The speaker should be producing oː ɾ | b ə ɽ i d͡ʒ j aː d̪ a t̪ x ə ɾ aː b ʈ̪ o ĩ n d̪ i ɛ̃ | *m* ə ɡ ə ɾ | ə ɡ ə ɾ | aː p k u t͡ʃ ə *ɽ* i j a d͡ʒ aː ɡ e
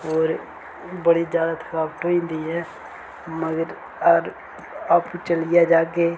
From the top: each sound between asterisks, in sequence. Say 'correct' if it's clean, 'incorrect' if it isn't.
correct, incorrect: l

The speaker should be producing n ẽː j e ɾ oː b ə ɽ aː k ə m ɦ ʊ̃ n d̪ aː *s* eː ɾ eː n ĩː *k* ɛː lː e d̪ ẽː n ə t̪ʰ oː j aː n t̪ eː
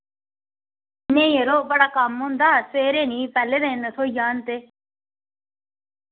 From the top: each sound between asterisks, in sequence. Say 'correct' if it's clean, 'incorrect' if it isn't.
correct, incorrect: p

